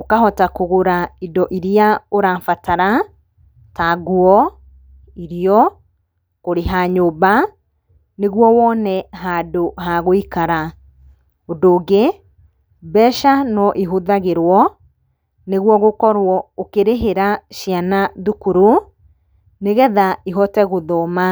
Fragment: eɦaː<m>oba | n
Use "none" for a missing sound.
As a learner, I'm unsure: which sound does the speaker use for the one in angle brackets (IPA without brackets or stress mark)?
ɲ